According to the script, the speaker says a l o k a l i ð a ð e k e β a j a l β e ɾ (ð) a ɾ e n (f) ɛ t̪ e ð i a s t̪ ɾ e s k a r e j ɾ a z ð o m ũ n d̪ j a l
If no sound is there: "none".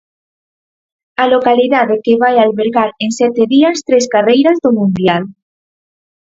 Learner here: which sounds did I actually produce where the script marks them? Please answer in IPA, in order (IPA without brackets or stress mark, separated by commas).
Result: ɣ, s